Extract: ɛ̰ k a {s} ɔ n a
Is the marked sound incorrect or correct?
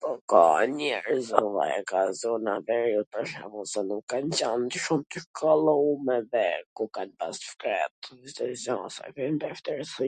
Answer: incorrect